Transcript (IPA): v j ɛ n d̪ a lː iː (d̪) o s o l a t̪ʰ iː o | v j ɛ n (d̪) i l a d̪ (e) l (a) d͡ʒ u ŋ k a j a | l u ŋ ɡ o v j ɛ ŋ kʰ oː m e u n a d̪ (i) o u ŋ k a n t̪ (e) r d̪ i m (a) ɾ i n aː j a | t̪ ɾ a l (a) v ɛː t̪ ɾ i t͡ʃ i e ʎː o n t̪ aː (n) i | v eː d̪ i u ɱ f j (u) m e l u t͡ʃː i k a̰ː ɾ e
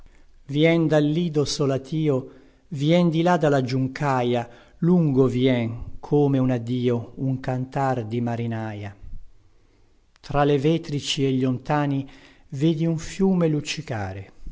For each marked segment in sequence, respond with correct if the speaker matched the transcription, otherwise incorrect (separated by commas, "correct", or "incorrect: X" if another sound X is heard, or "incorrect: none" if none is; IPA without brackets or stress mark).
correct, correct, incorrect: a, correct, incorrect: iː, incorrect: a, correct, incorrect: e, correct, incorrect: uː